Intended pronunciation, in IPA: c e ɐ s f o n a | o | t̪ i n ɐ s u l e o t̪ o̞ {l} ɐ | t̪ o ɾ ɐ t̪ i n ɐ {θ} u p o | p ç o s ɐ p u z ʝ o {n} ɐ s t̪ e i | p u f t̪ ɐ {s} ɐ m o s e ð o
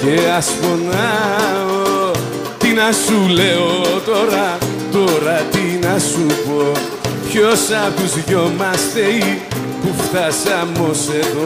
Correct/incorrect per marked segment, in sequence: incorrect: ɾ, incorrect: s, incorrect: m, correct

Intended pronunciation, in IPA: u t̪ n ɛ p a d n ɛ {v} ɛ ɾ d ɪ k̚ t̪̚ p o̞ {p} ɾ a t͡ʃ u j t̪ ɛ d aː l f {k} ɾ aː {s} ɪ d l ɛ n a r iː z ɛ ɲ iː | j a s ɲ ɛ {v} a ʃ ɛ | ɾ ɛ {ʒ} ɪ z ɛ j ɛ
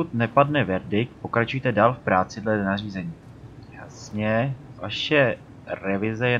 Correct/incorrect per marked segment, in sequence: correct, incorrect: k, incorrect: p, incorrect: t͡s, correct, incorrect: v

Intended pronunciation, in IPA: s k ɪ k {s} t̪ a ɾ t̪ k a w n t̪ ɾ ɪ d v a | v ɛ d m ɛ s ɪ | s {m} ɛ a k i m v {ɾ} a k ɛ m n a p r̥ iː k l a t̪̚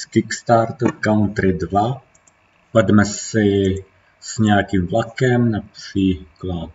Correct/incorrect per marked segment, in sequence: correct, incorrect: ɲ, incorrect: l

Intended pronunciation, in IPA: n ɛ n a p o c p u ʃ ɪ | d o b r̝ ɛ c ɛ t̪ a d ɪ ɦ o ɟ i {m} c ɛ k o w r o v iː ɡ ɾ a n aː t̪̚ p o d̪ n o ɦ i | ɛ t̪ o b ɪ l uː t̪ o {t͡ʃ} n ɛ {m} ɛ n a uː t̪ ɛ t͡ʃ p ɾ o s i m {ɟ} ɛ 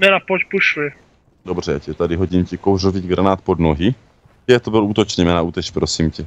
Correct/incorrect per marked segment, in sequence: correct, correct, correct, incorrect: c

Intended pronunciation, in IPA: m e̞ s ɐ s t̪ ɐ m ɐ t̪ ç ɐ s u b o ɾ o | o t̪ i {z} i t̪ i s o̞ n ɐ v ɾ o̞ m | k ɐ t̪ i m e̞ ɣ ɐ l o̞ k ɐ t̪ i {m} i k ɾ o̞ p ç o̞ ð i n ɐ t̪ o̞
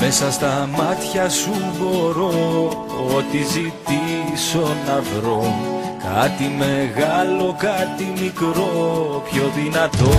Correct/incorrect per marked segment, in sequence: correct, correct

